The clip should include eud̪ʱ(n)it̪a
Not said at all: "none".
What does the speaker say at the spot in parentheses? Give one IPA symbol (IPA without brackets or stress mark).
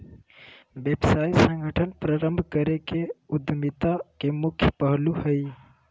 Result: m